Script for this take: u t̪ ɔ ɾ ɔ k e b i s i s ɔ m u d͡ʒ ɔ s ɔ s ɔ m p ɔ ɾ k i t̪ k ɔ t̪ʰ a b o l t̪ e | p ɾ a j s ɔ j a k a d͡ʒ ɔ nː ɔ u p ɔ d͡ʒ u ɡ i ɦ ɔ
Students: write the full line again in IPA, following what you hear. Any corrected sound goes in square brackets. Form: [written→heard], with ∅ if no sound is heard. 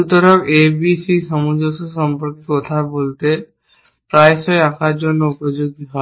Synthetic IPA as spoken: u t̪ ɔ ɾ ɔ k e b i s i s ɔ m u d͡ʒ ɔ s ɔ s ɔ m p ɔ ɾ k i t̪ k ɔ t̪ʰ a b o l t̪ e | p ɾ a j s ɔ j a k a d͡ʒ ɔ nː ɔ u p ɔ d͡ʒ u ɡ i ɦ ɔ